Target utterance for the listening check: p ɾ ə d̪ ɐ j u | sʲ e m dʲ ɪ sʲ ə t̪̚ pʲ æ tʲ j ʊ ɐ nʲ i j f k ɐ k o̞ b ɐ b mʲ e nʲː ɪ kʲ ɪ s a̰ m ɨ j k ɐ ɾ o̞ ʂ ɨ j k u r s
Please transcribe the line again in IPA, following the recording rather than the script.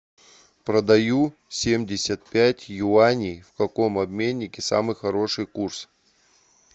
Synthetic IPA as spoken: p ɾ ə d̪ ɐ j u | sʲ e m dʲ ɪ sʲ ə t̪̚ pʲ æ tʲ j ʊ a nʲ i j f k ɐ k o̞ m ɐ b mʲ e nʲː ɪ kʲ ɪ s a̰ m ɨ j x ɐ ɾ o̞ ʂ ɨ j k u r s